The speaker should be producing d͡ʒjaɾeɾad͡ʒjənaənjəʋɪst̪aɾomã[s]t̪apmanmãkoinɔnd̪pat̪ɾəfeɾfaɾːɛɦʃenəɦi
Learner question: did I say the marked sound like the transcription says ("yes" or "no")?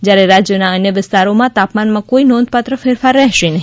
no